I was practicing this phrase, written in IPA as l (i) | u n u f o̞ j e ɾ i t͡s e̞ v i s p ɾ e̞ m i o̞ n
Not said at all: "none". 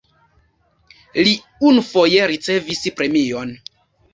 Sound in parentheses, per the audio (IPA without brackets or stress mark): i